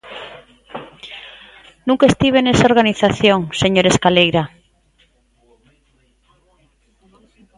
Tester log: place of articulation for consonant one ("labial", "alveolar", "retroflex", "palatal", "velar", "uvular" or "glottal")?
alveolar